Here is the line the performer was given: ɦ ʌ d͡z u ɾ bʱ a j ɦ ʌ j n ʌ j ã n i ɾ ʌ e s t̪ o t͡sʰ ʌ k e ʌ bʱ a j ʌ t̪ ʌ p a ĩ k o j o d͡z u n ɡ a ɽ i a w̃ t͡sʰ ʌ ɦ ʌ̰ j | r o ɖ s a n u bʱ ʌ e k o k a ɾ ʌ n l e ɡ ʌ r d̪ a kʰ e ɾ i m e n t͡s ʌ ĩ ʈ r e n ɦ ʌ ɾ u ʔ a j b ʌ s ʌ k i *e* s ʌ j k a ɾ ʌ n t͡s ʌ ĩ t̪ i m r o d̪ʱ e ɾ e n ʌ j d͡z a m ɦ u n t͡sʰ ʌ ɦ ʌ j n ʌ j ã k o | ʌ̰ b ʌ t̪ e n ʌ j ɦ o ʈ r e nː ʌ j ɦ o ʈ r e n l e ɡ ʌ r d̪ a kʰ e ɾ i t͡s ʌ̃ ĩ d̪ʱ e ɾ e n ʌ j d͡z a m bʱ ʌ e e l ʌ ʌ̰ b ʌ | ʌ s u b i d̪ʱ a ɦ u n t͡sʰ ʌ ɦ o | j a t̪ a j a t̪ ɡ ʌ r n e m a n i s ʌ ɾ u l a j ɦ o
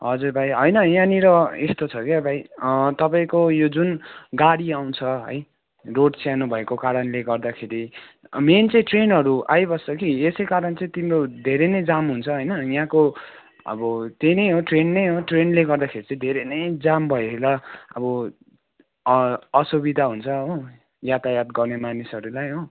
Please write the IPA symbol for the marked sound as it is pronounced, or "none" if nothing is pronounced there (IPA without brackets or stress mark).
e